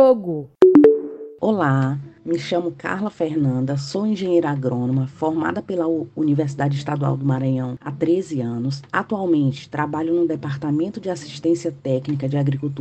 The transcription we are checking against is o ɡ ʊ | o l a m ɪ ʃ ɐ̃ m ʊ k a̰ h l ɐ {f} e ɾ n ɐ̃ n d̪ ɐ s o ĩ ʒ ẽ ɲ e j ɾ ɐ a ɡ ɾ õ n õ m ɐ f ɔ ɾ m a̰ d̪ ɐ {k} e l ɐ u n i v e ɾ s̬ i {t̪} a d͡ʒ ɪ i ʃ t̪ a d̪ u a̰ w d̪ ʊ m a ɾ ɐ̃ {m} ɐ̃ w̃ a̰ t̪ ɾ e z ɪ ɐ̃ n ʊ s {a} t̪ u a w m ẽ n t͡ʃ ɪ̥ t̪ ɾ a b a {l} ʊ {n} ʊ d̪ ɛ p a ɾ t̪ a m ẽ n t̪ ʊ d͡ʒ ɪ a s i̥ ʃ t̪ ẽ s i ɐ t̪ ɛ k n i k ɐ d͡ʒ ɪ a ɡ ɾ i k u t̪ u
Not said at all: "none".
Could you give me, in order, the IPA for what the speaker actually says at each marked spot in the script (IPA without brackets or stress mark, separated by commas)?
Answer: f, p, d̪, ɲ, a, ʎ, n